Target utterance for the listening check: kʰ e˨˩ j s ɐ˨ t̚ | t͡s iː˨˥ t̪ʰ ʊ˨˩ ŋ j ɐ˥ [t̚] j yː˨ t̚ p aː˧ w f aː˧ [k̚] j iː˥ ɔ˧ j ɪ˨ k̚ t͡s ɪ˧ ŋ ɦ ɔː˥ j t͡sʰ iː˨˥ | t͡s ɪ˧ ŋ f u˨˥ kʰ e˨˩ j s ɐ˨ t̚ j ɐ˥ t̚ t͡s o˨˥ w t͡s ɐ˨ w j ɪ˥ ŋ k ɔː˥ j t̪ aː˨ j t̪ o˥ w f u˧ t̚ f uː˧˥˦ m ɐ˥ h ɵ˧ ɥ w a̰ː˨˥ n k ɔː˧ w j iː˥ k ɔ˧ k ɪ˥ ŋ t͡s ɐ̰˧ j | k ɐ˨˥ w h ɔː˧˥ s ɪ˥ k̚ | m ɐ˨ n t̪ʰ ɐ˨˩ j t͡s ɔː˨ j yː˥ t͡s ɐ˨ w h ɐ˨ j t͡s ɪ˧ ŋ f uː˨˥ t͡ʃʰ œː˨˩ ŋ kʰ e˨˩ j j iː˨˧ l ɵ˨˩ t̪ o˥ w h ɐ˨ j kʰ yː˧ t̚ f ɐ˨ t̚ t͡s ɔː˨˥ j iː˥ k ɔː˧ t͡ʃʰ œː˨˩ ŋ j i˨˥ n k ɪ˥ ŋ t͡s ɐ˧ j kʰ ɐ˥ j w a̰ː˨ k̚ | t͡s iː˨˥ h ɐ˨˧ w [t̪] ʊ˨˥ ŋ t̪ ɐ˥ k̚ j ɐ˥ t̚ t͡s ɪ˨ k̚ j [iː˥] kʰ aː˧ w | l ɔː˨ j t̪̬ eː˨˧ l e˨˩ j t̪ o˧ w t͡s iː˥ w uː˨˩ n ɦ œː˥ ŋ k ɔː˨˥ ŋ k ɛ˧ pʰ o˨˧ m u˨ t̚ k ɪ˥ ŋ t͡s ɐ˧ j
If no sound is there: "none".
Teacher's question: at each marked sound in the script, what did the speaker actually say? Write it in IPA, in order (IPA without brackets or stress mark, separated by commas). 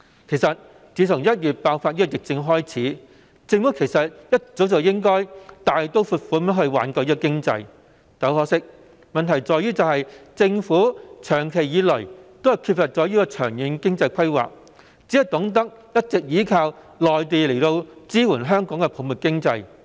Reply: t̚, t̚, t̪, iː˨˥